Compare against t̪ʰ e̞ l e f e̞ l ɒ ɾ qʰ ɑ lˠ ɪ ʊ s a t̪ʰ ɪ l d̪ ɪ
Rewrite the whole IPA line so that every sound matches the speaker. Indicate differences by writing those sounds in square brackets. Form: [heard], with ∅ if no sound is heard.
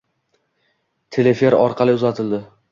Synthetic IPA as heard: t̪ʰ e̞ l e f e̞ [ɾ] ɒ ɾ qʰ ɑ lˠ ɪ ʊ [z] a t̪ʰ ɪ l d̪ ɪ